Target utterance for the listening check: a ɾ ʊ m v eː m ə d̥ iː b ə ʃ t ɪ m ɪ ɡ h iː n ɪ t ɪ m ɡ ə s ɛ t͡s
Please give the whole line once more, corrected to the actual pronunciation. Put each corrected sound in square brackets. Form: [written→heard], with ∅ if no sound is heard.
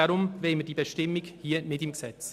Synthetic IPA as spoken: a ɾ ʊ m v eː m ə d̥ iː b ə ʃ t ɪ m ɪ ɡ h iː n ɪ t ɪ m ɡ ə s ɛ t͡s